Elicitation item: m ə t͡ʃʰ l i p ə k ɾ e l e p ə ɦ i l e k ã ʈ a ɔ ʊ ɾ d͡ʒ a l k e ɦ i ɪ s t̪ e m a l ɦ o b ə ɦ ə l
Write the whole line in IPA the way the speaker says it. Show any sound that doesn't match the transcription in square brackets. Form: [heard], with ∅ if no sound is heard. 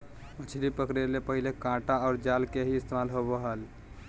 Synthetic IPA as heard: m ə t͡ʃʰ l i p ə k ɾ e l e p ə ɦ i l e k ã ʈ a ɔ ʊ ɾ d͡ʒ a l k e ɦ i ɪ s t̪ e m a l ɦ o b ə ɦ ə l